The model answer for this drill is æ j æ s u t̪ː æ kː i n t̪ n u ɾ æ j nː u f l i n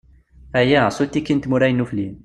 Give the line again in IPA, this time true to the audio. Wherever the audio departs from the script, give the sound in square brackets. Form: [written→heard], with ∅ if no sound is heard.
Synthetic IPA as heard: æ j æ s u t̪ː [æ→i] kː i n t̪ [n→m] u ɾ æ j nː u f l i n